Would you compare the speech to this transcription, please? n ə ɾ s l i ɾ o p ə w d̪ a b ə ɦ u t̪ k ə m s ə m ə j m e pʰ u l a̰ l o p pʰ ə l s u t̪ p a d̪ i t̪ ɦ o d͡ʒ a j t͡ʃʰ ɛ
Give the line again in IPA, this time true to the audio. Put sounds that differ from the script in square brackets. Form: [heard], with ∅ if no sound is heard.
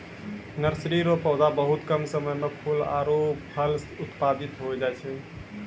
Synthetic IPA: n ə ɾ s [ɾ] i ɾ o p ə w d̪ a b ə ɦ u t̪ k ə m s ə m ə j m e pʰ u l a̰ [ɾ] o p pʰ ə l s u t̪ p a d̪ i t̪ ɦ o d͡ʒ a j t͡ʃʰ ɛ